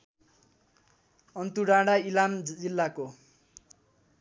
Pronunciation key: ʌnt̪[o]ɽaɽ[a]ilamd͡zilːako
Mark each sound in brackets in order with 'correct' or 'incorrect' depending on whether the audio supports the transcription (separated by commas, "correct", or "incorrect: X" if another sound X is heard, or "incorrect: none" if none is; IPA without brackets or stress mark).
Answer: incorrect: u, correct